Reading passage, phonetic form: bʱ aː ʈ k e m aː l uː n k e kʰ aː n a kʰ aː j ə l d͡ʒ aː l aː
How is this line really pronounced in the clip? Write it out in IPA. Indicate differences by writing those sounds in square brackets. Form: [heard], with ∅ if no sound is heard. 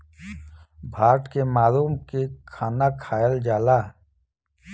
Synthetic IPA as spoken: bʱ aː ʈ k e m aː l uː [m] k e kʰ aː n a kʰ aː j ə l d͡ʒ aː l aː